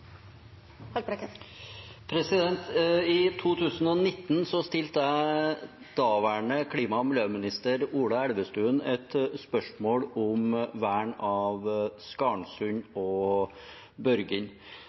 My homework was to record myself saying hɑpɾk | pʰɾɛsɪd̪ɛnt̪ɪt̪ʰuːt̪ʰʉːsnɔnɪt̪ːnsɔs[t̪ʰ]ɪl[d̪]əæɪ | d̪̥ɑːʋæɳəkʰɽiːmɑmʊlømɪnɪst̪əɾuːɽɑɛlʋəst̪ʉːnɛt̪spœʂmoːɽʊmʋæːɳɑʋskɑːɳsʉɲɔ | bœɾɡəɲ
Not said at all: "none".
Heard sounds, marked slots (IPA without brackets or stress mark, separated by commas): t̪, t̪